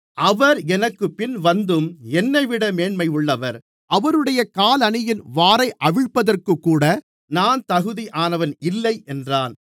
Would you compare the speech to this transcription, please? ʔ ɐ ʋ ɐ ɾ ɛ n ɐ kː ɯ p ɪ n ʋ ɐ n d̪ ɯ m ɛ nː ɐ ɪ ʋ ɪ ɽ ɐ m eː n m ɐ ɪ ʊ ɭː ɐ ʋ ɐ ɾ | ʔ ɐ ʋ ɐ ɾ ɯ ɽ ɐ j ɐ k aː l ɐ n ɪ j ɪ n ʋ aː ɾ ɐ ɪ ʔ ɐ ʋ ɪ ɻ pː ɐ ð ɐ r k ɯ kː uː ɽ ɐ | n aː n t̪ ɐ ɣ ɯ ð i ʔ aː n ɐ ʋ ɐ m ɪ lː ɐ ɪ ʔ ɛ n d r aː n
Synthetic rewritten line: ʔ ɐ ʋ ɐ ɾ ɛ n ɐ kː ɯ p ɪ n ʋ ɐ n d̪ ɯ m ɛ nː ɐ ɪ ʋ ɪ ɽ ɐ m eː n m ɐ ɪ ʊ ɭː ɐ ʋ ɐ ɾ | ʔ ɐ ʋ ɐ ɾ ɯ ɽ ɐ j ɐ k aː l ɐ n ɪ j ɪ n ʋ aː ɾ ɐ ɪ ʔ ɐ ʋ ɪ ɻ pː ɐ ð ɐ r k ɯ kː uː ɽ ɐ | n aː n t̪ ɐ ɣ ɯ ð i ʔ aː n ɐ ʋ ɐ n ɪ lː ɐ ɪ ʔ ɛ n d r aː n